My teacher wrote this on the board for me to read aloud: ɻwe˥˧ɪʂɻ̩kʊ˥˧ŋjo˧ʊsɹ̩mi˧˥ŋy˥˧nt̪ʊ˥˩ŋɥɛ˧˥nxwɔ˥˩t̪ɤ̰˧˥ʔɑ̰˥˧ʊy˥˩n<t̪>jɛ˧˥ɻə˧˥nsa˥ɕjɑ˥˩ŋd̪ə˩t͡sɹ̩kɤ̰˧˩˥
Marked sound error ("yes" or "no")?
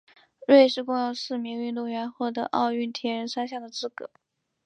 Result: yes